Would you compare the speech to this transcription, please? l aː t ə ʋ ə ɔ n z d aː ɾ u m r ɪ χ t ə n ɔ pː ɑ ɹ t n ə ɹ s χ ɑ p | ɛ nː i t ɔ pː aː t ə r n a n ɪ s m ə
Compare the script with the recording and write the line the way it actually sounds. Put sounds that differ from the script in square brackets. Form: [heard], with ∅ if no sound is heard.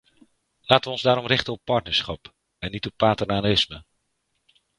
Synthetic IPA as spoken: l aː t ə ʋ ə ɔ n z d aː ɾ [ɔ] m r ɪ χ t ə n ɔ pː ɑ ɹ t n ə ɹ s χ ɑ p | ɛ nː i t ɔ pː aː t ə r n a n ɪ s m ə